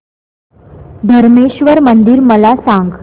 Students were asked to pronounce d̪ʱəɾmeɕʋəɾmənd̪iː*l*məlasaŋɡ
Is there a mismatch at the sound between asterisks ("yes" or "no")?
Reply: yes